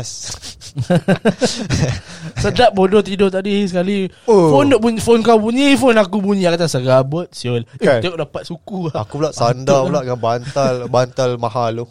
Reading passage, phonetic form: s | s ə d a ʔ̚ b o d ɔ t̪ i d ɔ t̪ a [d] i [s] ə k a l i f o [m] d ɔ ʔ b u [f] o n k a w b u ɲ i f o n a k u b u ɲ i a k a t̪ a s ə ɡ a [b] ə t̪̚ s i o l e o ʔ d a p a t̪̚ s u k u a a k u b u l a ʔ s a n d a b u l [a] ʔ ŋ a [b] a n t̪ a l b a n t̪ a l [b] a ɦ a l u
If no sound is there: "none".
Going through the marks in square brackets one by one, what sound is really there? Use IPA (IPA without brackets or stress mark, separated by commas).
d, s, n, f, b, a, b, m